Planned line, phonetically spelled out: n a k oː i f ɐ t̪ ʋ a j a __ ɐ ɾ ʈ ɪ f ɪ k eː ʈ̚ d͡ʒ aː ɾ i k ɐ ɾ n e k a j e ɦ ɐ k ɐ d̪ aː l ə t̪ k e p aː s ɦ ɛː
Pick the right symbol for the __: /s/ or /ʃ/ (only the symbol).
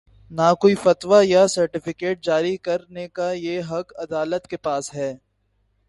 s